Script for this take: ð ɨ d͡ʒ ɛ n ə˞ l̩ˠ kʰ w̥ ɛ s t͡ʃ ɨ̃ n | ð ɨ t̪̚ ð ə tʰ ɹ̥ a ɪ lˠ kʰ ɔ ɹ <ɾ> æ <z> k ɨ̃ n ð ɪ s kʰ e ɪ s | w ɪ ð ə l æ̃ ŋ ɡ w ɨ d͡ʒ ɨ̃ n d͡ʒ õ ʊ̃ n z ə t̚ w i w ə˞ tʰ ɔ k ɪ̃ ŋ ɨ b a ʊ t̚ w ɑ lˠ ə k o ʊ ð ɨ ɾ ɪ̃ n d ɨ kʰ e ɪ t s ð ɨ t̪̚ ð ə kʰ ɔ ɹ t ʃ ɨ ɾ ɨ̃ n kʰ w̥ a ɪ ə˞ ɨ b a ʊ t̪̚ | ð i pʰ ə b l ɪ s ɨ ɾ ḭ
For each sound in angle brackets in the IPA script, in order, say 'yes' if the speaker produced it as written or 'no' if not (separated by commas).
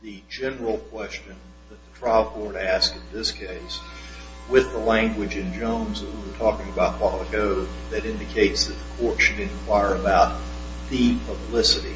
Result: yes, no